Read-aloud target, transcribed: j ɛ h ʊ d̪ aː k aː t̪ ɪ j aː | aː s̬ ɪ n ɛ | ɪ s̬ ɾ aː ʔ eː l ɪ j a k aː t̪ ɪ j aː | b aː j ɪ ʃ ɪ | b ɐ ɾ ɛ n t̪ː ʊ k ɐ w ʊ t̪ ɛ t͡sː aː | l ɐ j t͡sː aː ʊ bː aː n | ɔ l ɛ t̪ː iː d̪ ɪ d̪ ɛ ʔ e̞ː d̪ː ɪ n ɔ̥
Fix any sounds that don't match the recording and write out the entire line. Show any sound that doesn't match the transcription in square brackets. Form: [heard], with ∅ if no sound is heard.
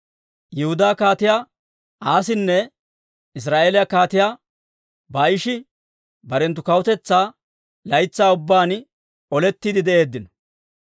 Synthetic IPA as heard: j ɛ h ʊ d̪ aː k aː t̪ ɪ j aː | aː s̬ ɪ [nː] ɛ | ɪ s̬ ɾ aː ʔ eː l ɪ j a k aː t̪ ɪ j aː | b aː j ɪ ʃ ɪ | b ɐ ɾ ɛ n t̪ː ʊ k ɐ w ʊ t̪ ɛ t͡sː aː | l ɐ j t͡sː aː ʊ bː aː n | ɔ l ɛ t̪ː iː d̪ ɪ d̪ ɛ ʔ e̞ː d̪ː ɪ n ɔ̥